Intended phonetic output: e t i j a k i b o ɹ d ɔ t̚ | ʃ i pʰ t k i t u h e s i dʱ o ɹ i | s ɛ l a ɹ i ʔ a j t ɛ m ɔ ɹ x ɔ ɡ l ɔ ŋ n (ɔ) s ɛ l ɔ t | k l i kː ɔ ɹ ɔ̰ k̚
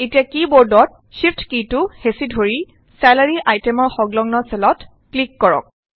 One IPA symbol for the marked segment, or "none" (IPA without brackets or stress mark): ɔ